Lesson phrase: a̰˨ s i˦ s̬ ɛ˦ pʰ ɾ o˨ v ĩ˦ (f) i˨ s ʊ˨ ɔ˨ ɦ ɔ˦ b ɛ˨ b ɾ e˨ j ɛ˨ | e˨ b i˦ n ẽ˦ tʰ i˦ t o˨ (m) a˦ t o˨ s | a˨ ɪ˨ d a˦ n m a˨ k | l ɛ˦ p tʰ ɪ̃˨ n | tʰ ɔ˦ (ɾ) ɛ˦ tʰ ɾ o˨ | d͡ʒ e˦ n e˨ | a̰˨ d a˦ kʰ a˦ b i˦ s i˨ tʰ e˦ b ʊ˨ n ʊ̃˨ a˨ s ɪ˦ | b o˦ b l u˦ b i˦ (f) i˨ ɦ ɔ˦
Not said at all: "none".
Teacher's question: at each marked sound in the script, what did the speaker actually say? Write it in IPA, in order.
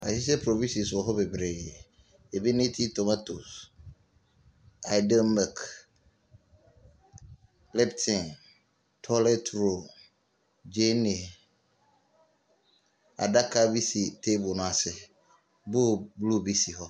s, m, l, s

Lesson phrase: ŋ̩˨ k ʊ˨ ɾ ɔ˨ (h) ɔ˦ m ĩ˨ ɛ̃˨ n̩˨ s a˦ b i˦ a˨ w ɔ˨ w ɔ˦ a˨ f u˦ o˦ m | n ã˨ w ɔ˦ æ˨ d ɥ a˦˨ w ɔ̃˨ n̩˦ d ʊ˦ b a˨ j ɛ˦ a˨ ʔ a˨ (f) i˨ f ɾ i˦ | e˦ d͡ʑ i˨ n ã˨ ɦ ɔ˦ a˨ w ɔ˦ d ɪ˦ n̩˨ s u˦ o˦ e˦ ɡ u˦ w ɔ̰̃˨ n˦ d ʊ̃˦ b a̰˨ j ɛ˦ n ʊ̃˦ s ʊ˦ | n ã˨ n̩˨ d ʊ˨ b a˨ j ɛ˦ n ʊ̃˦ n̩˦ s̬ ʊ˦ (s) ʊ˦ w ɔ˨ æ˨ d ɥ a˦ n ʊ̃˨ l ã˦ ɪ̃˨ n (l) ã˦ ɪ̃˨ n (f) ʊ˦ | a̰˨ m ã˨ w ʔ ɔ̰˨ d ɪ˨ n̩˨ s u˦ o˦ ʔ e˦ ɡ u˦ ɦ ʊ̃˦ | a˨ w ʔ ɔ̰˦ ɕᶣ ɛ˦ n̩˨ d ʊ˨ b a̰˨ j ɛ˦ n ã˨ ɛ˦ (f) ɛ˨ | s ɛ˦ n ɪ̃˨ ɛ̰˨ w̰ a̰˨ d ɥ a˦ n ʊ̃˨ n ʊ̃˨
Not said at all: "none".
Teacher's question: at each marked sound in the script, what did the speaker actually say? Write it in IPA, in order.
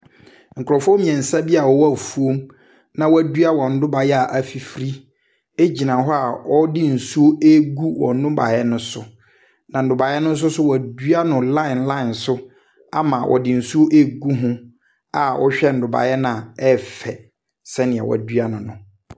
f, f, s, l, s, f

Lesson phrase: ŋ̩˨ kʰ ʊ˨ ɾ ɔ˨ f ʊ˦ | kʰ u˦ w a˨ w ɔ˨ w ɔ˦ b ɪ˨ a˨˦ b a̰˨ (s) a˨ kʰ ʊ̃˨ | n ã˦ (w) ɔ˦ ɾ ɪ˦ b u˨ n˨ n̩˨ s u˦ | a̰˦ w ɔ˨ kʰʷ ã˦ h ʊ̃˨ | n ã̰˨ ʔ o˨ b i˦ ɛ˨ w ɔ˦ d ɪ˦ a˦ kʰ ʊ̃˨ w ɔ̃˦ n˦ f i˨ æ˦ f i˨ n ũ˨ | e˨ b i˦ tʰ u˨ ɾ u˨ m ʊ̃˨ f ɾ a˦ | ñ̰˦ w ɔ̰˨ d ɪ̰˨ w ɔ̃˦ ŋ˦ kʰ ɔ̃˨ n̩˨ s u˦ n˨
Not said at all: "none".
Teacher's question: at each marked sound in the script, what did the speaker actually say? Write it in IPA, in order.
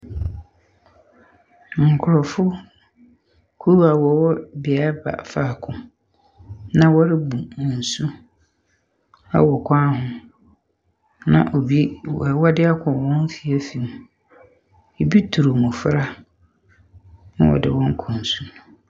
f, w

